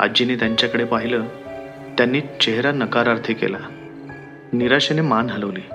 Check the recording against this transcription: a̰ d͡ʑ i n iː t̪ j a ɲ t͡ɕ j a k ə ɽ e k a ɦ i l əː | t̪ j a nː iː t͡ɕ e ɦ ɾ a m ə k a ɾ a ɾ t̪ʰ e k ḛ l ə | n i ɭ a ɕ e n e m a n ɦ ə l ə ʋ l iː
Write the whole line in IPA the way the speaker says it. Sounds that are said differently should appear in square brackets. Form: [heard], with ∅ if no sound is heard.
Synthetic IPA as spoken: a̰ d͡ʑ i n iː t̪ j a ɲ t͡ɕ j a k ə ɽ e [p] a ɦ i l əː | t̪ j a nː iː t͡ɕ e ɦ ɾ a [n] ə k a ɾ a ɾ t̪ʰ e k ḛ l [a] | n i [ɾ] a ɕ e n e m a n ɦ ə l ə ʋ l iː